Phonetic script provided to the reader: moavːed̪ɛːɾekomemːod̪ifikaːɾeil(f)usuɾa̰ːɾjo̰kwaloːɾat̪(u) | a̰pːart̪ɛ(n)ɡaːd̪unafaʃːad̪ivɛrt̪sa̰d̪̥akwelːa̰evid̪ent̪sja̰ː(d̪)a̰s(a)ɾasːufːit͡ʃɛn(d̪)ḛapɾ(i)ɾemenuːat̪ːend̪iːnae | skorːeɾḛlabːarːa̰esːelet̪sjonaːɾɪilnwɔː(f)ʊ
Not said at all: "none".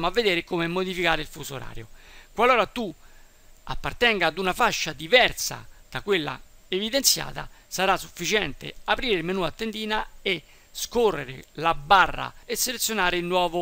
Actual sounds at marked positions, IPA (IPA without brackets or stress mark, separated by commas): f, u, ŋ, t̪, a, t̪, iː, v